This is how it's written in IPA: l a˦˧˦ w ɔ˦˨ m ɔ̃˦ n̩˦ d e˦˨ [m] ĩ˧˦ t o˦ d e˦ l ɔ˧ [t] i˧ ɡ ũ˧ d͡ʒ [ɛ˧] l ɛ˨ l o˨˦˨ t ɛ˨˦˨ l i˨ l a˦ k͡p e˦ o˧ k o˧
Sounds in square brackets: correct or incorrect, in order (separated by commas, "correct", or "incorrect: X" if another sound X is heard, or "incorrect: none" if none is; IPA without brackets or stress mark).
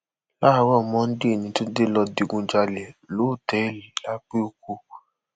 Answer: incorrect: n, incorrect: d, incorrect: a˧